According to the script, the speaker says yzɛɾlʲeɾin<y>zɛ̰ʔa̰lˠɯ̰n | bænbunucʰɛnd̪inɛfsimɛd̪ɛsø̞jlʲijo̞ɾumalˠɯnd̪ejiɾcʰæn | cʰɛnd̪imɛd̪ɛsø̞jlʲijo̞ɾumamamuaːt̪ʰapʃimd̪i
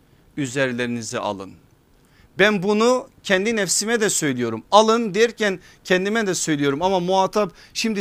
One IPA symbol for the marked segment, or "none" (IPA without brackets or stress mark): i